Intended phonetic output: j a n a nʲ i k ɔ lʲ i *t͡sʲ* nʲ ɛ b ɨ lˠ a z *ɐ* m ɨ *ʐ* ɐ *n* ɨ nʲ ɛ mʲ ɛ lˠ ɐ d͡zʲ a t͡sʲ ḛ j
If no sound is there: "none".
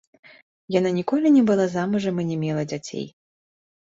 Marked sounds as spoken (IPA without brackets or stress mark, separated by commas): none, a, ʐ, m